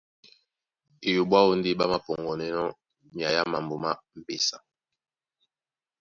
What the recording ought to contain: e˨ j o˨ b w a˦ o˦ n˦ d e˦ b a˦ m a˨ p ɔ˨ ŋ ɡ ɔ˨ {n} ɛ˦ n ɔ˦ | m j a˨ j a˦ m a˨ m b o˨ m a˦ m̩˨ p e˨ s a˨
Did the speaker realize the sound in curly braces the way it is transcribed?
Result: yes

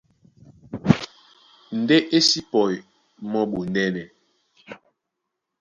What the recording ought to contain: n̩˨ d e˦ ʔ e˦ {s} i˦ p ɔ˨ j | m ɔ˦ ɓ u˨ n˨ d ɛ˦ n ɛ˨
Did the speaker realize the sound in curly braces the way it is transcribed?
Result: yes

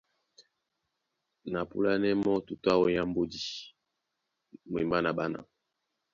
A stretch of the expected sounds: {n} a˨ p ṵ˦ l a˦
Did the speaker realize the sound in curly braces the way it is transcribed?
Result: yes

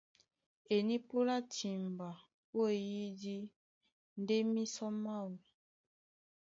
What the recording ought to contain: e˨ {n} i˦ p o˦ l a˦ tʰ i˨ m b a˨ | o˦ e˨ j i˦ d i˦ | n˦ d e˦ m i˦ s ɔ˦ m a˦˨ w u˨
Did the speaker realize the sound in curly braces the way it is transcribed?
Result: yes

